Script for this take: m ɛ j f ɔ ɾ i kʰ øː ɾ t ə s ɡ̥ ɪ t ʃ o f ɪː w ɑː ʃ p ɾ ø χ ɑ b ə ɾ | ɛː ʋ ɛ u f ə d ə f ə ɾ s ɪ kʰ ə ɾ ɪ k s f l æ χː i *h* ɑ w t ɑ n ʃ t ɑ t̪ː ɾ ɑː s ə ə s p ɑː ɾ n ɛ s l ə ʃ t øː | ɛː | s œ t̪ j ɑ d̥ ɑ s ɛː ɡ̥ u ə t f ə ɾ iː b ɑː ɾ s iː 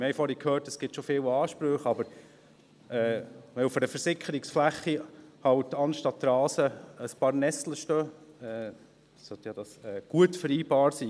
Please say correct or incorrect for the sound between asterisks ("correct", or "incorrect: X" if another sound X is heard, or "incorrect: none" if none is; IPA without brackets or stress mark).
correct